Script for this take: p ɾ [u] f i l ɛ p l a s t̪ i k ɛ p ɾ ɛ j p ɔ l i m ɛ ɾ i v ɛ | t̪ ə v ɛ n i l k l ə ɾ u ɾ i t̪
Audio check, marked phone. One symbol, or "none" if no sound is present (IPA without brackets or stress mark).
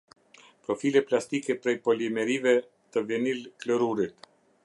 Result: ɔ